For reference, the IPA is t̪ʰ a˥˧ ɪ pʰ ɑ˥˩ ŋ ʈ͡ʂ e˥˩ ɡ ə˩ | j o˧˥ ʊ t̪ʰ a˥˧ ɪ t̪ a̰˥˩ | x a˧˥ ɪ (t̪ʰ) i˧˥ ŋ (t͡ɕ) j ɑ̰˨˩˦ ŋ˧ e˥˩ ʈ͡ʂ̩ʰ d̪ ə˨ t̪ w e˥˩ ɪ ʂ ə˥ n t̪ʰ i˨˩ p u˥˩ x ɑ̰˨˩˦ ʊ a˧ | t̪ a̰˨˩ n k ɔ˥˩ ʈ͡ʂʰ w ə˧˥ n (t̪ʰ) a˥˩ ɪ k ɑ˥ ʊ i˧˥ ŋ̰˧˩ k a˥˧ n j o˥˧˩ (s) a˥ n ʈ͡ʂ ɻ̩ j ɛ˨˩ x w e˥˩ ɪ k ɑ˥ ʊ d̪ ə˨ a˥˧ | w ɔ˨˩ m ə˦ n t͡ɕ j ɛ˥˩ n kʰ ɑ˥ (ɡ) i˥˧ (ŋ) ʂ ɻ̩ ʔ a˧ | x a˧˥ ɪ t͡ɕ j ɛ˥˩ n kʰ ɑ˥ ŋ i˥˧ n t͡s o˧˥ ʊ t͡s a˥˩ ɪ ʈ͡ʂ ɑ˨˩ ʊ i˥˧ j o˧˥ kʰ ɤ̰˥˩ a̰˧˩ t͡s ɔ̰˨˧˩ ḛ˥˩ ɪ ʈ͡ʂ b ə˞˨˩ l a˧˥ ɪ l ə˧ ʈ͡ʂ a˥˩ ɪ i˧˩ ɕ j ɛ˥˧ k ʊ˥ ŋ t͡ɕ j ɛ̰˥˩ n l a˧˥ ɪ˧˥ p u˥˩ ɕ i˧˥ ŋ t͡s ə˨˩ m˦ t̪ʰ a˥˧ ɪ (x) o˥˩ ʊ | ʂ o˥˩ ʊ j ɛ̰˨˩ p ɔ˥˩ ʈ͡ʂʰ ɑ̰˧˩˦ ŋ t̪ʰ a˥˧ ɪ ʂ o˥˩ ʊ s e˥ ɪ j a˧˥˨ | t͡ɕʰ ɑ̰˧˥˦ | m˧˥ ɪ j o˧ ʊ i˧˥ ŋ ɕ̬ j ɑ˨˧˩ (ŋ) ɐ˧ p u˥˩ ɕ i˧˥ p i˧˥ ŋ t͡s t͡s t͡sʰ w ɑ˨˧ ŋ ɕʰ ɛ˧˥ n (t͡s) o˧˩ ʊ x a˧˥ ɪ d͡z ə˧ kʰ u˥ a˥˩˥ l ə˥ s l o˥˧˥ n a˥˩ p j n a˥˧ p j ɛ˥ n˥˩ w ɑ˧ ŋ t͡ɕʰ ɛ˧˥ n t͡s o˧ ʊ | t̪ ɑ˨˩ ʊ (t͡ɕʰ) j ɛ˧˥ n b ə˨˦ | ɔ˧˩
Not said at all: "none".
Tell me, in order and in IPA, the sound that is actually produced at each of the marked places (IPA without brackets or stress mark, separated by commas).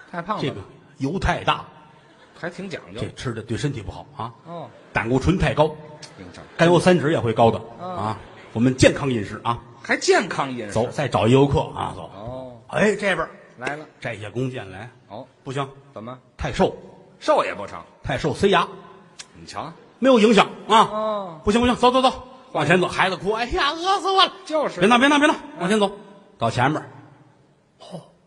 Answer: t̪ʰ, t͡ɕ, t̪ʰ, s, ŋ, n, ʂ, ŋ, t͡s, t͡ɕʰ